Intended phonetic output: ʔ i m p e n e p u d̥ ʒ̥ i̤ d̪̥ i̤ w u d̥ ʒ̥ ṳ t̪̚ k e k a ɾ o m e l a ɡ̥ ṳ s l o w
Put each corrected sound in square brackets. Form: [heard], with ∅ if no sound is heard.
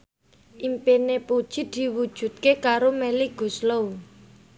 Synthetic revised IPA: ʔ i m p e n e p u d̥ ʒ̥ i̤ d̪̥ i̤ w u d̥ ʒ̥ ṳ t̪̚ k e k a ɾ o m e l [i] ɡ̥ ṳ s l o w